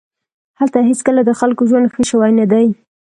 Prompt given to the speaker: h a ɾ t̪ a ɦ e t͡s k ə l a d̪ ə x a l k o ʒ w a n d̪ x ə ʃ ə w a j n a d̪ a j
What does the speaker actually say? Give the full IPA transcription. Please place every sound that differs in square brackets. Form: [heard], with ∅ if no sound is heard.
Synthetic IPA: h a [l] t̪ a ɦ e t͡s k ə l a d̪ ə x a l k o ʒ w a n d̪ x ə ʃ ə w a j n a d̪ a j